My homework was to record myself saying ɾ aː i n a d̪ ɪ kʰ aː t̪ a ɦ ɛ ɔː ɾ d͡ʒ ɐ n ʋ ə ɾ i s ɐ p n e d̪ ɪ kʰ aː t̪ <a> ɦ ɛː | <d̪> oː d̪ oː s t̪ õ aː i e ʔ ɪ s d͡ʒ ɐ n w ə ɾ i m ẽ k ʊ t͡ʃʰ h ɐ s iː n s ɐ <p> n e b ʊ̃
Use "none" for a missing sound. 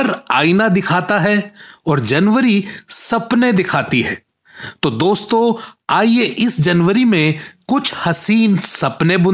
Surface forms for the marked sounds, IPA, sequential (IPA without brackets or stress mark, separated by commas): i, t̪, p